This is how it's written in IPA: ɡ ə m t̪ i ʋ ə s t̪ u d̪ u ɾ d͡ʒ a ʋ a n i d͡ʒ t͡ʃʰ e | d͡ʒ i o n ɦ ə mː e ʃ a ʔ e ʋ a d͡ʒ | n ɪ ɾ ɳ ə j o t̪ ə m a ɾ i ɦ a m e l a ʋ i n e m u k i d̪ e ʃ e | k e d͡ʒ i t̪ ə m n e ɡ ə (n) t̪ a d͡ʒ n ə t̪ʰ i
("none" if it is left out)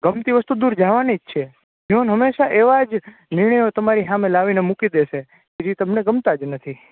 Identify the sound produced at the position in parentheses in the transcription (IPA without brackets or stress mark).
m